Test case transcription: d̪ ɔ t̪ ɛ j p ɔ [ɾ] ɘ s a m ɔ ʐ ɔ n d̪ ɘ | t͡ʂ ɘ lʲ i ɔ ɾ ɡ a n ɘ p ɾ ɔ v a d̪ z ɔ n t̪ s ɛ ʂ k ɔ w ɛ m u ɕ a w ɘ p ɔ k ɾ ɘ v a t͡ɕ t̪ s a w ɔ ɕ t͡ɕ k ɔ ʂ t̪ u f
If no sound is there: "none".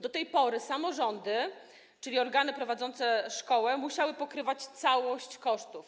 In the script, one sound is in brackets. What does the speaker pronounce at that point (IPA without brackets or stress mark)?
ɾ